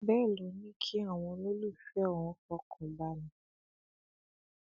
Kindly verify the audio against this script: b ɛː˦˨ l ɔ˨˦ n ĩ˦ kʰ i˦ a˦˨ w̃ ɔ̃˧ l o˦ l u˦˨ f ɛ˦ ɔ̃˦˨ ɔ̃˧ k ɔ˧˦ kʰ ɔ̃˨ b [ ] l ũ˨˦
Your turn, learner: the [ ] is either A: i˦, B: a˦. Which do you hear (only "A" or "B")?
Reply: B